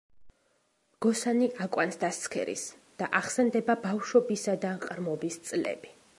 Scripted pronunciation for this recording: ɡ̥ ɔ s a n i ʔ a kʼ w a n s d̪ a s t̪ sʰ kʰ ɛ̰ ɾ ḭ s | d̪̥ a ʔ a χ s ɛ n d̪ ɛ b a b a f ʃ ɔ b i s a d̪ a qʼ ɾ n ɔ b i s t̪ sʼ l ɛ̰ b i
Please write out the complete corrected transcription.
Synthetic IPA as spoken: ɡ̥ ɔ s a n i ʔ a kʼ w a n s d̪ a s t̪ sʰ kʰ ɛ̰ ɾ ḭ s | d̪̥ a ʔ a χ s ɛ n d̪ ɛ b a b a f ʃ ɔ b i s a d̪ a qʼ ɾ m ɔ b i s t̪ sʼ l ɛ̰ b i